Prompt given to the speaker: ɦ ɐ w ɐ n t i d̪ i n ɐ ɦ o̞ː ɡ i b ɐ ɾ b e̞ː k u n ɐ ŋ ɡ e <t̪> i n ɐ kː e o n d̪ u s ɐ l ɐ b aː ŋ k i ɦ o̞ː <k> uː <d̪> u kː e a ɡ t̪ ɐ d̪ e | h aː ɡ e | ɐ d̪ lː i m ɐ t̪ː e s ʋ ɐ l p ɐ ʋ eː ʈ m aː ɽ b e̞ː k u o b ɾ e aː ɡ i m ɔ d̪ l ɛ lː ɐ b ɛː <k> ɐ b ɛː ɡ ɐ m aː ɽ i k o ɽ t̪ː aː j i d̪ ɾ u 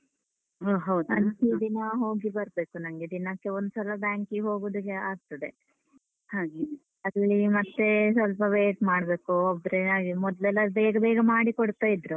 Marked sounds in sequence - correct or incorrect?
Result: incorrect: d̪, incorrect: ɡ, correct, incorrect: ɡ

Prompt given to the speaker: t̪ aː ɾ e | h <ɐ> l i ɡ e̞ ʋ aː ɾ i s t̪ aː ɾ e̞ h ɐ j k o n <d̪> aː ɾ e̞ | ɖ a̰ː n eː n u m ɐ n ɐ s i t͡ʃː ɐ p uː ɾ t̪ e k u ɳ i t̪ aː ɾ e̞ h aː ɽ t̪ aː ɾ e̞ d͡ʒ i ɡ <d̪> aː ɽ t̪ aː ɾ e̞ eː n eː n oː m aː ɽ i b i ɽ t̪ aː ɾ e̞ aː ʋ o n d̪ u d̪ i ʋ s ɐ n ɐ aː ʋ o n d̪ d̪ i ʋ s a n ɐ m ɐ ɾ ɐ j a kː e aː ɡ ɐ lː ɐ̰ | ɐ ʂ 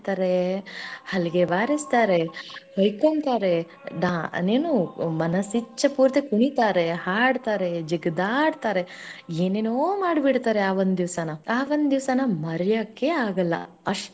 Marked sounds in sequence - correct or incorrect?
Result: correct, incorrect: t̪, correct

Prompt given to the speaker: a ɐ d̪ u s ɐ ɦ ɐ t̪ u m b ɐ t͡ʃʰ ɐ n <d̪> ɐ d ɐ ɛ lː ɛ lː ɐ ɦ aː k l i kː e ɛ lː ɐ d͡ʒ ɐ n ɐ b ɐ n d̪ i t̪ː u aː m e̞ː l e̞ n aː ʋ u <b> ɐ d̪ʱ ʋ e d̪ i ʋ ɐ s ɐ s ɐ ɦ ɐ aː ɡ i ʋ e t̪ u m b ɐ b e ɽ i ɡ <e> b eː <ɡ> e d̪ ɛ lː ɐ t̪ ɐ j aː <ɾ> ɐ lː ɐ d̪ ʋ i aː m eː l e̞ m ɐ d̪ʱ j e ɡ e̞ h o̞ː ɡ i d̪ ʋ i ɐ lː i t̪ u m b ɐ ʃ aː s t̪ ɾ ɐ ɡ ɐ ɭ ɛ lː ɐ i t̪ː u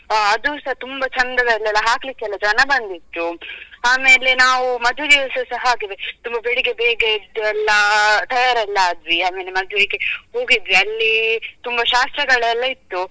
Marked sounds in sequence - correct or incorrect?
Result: correct, incorrect: m, correct, correct, correct

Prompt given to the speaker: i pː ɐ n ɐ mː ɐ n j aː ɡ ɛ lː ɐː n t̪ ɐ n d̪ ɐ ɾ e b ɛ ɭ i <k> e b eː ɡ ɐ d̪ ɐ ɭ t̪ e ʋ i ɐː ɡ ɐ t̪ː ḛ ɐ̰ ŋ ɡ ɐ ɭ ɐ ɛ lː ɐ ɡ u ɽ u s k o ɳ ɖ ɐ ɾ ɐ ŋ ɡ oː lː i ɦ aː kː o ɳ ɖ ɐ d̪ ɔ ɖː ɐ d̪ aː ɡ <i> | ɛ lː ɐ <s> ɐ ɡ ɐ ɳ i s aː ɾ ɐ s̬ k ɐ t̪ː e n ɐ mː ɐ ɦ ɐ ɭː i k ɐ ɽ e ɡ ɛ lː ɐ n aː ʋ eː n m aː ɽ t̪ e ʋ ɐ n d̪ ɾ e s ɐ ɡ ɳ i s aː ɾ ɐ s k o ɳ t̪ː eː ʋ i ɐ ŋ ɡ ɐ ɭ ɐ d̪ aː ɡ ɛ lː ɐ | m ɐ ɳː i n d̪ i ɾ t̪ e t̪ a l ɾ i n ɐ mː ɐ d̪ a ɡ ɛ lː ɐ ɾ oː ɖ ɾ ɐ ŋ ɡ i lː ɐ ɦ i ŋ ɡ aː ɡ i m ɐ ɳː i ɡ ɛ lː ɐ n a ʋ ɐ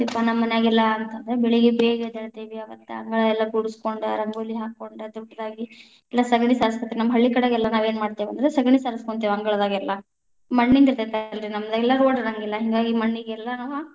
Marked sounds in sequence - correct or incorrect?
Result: incorrect: ɡ, correct, correct

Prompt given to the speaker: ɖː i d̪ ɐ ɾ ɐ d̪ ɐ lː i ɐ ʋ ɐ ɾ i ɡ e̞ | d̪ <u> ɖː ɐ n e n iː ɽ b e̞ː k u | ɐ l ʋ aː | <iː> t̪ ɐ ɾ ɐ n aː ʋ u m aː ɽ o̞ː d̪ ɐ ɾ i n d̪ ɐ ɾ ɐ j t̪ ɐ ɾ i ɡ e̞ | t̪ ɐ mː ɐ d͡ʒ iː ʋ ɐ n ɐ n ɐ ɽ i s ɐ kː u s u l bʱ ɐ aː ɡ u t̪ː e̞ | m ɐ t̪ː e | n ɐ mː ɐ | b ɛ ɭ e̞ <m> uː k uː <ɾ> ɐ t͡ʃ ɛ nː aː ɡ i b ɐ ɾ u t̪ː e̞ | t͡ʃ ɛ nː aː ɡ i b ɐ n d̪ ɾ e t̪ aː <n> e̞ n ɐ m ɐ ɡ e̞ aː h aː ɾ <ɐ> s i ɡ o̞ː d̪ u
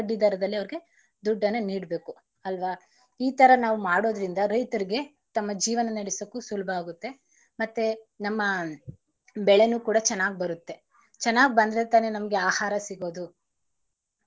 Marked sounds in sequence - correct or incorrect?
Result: correct, correct, incorrect: n, incorrect: ɽ, correct, correct

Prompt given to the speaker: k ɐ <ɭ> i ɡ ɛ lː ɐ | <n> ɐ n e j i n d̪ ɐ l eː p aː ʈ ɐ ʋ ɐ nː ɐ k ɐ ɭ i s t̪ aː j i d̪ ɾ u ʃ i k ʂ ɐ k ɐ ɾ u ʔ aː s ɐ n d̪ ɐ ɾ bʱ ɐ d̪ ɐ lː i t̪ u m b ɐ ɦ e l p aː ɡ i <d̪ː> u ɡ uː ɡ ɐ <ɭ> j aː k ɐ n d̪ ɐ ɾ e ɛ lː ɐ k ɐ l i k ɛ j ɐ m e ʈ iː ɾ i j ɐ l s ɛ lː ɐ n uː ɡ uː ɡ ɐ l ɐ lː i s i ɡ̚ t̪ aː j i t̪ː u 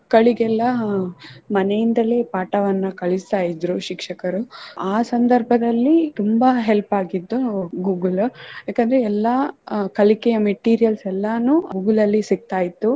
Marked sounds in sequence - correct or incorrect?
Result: correct, incorrect: m, correct, incorrect: l

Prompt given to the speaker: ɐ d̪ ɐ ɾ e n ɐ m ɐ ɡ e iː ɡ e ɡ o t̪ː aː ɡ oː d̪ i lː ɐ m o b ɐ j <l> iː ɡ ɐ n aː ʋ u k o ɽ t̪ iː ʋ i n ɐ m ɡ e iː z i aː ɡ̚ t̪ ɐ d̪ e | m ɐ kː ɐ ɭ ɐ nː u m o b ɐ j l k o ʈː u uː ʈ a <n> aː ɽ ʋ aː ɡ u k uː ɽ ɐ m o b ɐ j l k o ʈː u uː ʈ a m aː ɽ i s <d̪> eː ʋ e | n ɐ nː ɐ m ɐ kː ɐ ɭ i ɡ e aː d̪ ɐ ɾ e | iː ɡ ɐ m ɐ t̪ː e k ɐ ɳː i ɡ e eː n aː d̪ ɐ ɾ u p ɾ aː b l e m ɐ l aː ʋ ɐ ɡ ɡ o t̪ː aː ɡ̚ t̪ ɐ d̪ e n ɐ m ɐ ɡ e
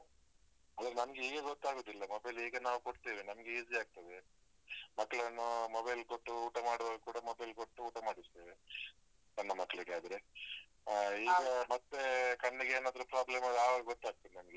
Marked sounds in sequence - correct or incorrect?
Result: correct, incorrect: m, incorrect: t̪

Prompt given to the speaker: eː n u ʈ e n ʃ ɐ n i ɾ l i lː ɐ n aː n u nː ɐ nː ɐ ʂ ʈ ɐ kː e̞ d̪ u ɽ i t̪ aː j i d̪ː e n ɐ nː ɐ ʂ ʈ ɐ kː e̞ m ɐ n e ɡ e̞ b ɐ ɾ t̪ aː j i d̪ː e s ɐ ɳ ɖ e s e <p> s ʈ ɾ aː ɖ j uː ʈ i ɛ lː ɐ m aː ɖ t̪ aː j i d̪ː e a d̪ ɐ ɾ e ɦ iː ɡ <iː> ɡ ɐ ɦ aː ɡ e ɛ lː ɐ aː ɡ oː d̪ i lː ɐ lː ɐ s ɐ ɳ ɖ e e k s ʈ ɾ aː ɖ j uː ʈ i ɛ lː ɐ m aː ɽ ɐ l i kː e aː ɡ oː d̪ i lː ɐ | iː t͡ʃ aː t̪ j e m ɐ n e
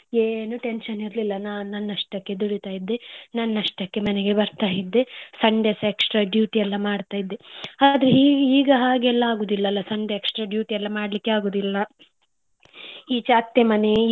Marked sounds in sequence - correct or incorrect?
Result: incorrect: k, correct

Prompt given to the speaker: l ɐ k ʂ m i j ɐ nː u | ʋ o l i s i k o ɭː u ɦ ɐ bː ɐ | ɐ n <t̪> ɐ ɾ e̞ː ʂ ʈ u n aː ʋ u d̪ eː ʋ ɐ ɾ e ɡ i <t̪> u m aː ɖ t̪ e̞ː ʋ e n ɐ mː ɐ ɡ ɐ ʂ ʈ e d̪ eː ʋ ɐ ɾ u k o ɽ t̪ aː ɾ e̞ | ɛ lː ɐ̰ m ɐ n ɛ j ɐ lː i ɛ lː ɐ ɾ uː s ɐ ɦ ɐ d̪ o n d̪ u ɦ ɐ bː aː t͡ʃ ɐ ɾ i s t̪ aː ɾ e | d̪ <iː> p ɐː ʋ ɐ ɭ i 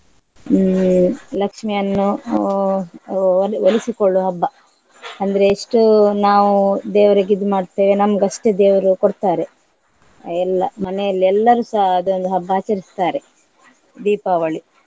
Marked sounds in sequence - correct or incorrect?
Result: incorrect: d̪, incorrect: d̪, correct

